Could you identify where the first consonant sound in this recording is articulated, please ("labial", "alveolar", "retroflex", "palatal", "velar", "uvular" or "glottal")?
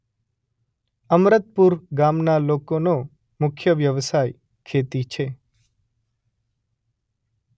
labial